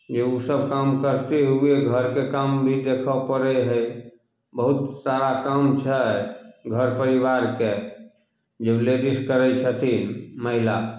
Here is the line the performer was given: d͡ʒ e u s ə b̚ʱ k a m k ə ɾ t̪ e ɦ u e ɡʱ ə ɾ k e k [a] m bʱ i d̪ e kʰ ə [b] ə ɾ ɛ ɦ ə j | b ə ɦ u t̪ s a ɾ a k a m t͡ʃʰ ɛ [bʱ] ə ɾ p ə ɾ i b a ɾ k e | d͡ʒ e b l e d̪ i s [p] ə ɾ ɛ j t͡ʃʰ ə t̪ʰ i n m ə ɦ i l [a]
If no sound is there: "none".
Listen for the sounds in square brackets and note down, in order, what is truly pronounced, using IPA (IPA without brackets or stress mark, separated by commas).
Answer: a, p, ɡʱ, k, a